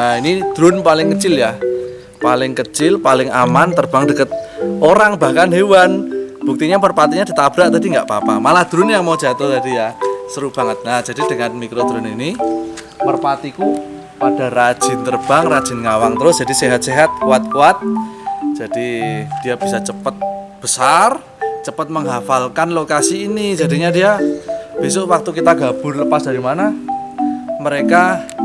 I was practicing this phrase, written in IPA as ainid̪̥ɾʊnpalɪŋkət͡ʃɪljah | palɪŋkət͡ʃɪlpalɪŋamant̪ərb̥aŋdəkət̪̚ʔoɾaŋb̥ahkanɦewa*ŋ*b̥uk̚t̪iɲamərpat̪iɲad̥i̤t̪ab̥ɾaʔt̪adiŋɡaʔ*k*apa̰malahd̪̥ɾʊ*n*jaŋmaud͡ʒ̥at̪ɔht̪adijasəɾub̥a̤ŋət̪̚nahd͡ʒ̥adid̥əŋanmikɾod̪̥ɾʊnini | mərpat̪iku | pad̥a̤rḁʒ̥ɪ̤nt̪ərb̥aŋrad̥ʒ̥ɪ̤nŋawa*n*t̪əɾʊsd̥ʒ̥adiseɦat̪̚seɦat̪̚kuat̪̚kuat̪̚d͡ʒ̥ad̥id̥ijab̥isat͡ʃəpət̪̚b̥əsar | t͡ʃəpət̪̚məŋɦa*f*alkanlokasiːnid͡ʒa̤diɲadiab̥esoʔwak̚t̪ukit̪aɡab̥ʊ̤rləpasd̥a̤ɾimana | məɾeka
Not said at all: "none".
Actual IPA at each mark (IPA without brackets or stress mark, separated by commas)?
n, p, n, ŋ, f